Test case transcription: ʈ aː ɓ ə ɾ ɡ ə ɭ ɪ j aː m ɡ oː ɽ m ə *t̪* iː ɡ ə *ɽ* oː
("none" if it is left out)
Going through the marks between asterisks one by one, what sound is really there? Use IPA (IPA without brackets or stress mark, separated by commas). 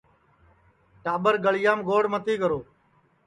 t̪, ɾ